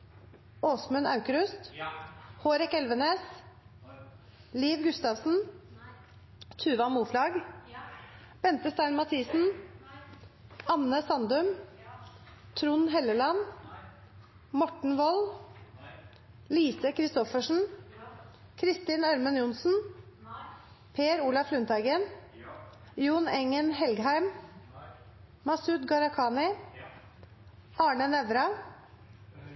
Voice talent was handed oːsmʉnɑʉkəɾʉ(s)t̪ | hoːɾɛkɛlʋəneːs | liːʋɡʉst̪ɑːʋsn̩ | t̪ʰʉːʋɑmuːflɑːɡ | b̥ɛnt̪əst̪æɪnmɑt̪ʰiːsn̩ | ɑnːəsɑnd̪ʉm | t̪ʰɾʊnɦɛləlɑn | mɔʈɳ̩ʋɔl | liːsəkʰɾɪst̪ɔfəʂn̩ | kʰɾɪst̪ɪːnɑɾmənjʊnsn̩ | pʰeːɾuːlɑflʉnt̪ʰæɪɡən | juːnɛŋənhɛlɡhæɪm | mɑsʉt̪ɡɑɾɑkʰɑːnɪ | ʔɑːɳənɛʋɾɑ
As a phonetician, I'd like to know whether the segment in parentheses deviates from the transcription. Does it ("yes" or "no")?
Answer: no